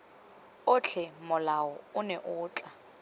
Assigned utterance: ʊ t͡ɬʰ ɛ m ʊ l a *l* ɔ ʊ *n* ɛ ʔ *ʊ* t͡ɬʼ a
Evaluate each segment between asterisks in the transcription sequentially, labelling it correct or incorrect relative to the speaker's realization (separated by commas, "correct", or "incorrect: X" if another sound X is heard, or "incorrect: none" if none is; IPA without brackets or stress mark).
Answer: incorrect: none, correct, incorrect: ʊː